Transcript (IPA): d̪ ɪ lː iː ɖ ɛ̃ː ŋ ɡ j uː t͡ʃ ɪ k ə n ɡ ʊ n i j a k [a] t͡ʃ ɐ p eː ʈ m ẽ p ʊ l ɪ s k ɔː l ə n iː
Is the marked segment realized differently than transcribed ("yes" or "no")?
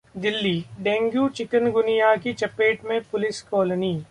yes